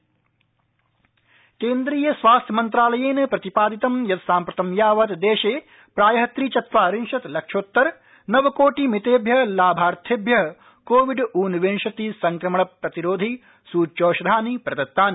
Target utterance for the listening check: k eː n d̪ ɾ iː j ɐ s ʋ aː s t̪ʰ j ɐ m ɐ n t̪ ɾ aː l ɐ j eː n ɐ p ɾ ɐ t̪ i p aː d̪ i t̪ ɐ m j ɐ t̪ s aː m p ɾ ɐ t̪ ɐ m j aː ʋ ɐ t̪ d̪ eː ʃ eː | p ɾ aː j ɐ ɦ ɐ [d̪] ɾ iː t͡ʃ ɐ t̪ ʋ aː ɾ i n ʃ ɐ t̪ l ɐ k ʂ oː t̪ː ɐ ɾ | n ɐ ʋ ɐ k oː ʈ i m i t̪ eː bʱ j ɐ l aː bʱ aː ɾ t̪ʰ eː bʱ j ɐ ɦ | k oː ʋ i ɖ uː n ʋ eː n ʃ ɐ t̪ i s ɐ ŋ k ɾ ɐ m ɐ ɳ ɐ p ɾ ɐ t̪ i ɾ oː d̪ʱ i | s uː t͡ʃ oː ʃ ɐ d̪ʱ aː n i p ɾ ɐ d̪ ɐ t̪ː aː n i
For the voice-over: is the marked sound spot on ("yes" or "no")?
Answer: no